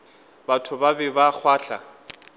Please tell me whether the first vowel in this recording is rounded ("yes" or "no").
no